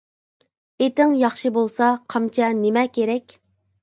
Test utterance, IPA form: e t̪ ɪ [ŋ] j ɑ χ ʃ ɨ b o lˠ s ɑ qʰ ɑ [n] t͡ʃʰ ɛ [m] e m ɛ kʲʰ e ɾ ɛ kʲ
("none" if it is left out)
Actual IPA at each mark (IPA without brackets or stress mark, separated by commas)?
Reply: ŋ, m, n